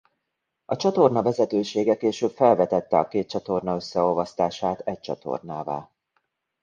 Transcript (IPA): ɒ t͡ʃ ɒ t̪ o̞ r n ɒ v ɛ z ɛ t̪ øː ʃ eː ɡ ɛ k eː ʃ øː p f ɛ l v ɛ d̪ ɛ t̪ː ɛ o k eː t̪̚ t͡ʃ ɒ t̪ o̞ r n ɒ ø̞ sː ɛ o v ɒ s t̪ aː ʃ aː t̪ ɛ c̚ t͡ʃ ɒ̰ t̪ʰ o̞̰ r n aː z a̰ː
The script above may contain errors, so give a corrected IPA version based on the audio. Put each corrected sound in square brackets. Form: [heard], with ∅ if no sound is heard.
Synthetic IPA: ɒ t͡ʃ ɒ t̪ o̞ r n ɒ v ɛ z ɛ t̪ øː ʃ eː ɡ ɛ k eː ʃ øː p f ɛ l v ɛ [t̪] ɛ t̪ː ɛ [ɒ] k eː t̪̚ t͡ʃ ɒ t̪ o̞ r n ɒ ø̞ sː ɛ o v ɒ s t̪ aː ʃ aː t̪ ɛ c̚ t͡ʃ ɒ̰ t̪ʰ o̞̰ r n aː [v] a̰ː

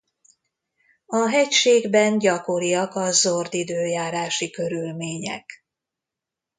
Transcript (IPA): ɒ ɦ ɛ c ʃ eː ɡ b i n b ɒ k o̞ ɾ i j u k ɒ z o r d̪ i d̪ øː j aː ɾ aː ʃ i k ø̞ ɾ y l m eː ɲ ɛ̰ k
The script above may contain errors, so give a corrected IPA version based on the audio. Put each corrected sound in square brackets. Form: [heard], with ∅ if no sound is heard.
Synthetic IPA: ɒ ɦ ɛ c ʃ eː ɡ b [ɛ] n [ɟ] ɒ k o̞ ɾ i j [ɒ] k ɒ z o r d̪ i d̪ øː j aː ɾ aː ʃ i k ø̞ ɾ y l m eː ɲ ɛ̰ k

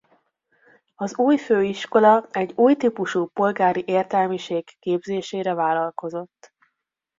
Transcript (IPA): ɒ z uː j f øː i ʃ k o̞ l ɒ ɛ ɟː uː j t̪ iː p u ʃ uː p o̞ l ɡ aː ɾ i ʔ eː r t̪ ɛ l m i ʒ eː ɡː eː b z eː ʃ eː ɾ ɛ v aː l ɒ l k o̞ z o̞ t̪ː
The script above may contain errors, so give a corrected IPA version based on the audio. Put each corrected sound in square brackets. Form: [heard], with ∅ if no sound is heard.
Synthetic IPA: ɒ z uː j f øː i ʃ k o̞ l ɒ ɛ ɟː uː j t̪ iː p u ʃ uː p o̞ l ɡ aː ɾ i ʔ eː r t̪ ɛ l m i [ʃ] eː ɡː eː b z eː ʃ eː ɾ ɛ v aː l ɒ l k o̞ z o̞ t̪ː

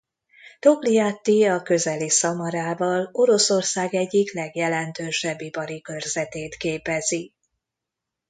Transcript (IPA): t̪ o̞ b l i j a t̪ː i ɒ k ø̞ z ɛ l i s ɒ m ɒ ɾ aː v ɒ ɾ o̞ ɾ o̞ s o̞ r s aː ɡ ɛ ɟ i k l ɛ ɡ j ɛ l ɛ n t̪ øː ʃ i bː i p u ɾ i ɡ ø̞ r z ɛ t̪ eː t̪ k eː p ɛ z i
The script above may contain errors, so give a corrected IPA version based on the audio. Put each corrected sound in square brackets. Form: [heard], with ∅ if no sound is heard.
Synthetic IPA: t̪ o̞ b l i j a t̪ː i ɒ k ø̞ z ɛ l i s ɒ m ɒ ɾ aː v ɒ [l] o̞ ɾ o̞ s o̞ r s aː ɡ ɛ [ɟː] i k l ɛ ɡ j ɛ l ɛ n t̪ øː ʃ [ɛ] bː i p [ɒ] ɾ i [k] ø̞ r z ɛ t̪ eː t̪ k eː p ɛ z i

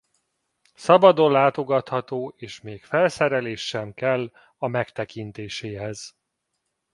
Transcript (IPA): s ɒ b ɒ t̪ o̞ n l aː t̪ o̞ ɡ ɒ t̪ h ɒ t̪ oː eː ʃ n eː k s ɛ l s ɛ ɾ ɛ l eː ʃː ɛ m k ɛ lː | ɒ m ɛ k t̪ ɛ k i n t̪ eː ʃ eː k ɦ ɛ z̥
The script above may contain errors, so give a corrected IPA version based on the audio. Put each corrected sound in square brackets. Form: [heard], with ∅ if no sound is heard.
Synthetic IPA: s ɒ b ɒ [d̪] o̞ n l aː t̪ o̞ ɡ ɒ t̪ h ɒ t̪ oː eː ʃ [m] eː k [f] ɛ l s ɛ ɾ ɛ l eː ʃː ɛ m k ɛ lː | ɒ m ɛ k t̪ ɛ k i n t̪ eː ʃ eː [∅] ɦ ɛ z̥

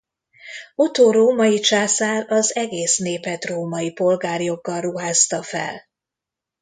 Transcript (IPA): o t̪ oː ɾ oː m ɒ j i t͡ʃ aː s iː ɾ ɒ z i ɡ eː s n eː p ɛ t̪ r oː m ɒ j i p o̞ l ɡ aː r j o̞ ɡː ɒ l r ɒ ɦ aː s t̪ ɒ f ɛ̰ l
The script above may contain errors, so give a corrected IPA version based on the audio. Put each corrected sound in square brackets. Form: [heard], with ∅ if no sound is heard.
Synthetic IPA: o t̪ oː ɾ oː m ɒ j i t͡ʃ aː s [aː] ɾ ɒ z [ɛ] ɡ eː s n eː p ɛ t̪ r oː m ɒ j i p o̞ l ɡ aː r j o̞ ɡː ɒ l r [u] ɦ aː s t̪ ɒ f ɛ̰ l

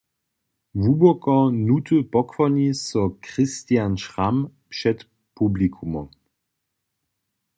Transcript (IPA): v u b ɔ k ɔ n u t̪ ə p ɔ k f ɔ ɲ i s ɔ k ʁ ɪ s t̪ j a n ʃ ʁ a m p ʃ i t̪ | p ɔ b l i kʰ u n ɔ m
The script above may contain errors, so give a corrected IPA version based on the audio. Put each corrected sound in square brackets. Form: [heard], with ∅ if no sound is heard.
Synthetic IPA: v u b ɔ k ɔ n u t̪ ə p ɔ k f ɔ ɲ i s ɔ k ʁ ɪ s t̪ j a n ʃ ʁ a m p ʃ [ɛ] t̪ | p [u] b l i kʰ u [m] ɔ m

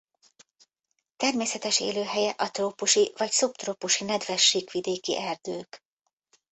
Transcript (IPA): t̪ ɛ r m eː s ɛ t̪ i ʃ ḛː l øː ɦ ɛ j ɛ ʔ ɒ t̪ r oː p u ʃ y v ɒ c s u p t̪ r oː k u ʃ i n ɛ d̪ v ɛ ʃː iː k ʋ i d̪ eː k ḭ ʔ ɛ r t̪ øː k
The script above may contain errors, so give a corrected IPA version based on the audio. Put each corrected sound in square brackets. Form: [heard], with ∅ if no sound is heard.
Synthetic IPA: t̪ ɛ r m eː s ɛ t̪ [ɛ] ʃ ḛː l øː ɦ ɛ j ɛ ʔ ɒ t̪ r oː p u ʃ [i] v ɒ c s u p t̪ r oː [p] u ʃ i n ɛ d̪ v ɛ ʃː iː k ʋ i d̪ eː k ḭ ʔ ɛ r [d̪] øː k

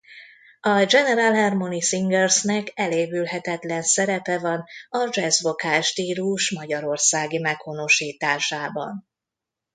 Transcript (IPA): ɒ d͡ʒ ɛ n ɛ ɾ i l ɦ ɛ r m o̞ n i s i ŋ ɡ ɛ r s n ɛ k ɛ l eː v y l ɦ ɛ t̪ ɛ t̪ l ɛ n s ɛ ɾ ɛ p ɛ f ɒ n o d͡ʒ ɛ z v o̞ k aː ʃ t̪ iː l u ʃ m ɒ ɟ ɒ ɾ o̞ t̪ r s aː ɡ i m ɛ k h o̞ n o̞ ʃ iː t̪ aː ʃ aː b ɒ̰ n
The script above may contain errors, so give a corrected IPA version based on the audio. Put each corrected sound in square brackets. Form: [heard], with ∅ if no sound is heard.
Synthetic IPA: ɒ d͡ʒ ɛ n ɛ ɾ [a] l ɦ ɛ r m o̞ n i s i ŋ ɡ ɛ r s n ɛ k ɛ l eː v y l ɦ ɛ t̪ ɛ t̪ l ɛ n s ɛ ɾ ɛ p ɛ [v] ɒ n [ɒ] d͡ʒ ɛ z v o̞ k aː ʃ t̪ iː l u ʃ m ɒ ɟ ɒ ɾ o̞ [∅] r s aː ɡ i m ɛ k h o̞ n o̞ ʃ iː t̪ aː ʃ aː b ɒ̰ n

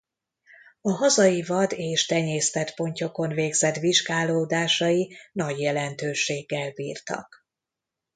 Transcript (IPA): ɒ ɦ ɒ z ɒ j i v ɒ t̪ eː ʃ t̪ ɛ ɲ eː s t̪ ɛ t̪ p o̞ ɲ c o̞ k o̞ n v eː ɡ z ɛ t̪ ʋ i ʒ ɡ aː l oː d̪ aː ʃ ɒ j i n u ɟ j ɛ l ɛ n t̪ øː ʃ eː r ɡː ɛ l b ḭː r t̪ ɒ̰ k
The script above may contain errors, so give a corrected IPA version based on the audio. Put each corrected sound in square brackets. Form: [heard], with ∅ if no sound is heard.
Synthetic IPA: ɒ ɦ ɒ z ɒ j i v ɒ [d̪] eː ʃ t̪ ɛ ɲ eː s t̪ ɛ t̪ p o̞ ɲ c o̞ k o̞ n v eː ɡ z ɛ t̪ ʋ i ʒ ɡ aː l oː d̪ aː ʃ ɒ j i n [ɒ] ɟ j ɛ l ɛ n t̪ øː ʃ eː [∅] ɡː ɛ l b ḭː r t̪ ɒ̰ k

